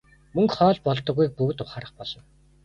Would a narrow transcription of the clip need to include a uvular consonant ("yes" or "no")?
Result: yes